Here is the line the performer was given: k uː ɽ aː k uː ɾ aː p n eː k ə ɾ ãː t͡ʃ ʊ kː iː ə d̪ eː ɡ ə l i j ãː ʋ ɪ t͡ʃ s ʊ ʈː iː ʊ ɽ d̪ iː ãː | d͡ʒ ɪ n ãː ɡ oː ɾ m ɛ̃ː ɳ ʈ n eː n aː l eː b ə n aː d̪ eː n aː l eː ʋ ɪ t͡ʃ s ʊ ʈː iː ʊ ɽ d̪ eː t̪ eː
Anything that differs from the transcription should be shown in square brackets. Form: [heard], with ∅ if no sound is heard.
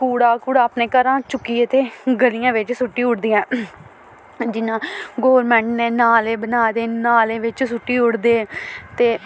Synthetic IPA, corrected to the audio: k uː ɽ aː k uː [ɽ] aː p n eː k ə ɾ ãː t͡ʃ ʊ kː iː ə [t̪] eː ɡ ə l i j ãː ʋ ɪ t͡ʃ s ʊ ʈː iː ʊ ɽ d̪ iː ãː | d͡ʒ ɪ n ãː ɡ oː ɾ m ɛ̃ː ɳ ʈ n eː n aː l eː b ə n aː d̪ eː n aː l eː ʋ ɪ t͡ʃ s ʊ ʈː iː ʊ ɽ d̪ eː t̪ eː